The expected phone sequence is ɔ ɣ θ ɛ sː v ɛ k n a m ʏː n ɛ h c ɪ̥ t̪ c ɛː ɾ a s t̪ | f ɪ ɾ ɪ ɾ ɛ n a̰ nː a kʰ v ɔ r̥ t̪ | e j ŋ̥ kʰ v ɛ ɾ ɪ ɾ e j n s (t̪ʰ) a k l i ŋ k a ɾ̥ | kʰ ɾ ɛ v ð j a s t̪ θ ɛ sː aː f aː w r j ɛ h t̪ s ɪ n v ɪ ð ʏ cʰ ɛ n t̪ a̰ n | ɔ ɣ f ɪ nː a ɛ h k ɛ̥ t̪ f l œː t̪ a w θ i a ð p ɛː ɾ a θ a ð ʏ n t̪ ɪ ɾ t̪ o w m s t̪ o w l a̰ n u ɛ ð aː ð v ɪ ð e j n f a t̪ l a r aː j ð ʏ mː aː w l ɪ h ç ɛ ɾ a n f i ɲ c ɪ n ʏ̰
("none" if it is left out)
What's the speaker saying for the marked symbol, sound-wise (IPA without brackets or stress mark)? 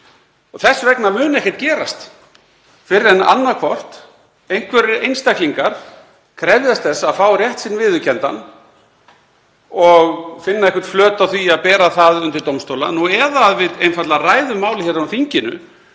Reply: t̪